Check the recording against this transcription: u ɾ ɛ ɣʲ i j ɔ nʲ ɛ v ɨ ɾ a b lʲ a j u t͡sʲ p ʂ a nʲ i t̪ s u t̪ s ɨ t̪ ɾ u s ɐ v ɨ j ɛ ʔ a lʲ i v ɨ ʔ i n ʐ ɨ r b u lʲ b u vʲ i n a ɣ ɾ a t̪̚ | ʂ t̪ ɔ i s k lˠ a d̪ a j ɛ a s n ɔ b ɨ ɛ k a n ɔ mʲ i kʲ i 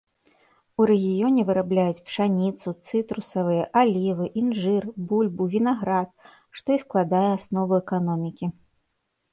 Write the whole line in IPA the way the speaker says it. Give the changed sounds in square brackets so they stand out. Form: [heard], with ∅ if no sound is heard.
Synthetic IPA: u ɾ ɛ ɣʲ i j ɔ nʲ ɛ v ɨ ɾ a b lʲ a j u t͡sʲ p ʂ a nʲ i t̪ s u t̪ s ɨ t̪ ɾ u s ɐ v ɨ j ɛ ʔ a lʲ i v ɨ ʔ i n ʐ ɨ r b u lʲ b u vʲ i n a ɣ ɾ a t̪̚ | ʂ t̪ ɔ i s k lˠ a d̪ a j ɛ a s n ɔ [v] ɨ ɛ k a n ɔ mʲ i kʲ i